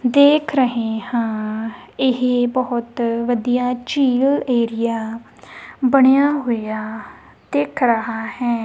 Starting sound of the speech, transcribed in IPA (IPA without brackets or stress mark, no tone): d̪